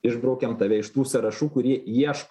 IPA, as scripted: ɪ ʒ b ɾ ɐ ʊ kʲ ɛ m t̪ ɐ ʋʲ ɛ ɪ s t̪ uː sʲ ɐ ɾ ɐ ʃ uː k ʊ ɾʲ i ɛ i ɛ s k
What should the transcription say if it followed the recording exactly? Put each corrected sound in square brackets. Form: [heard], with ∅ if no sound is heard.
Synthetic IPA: ɪ ʒ b ɾ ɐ ʊ kʲ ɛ m t̪ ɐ ʋʲ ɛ ɪ [ʃ] t̪ uː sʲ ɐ ɾ ɐ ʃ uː k ʊ ɾʲ i ɛ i ɛ [ʃ] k